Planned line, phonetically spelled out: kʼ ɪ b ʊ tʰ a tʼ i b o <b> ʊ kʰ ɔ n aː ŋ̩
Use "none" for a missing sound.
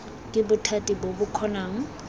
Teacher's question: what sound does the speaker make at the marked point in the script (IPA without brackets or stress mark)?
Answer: b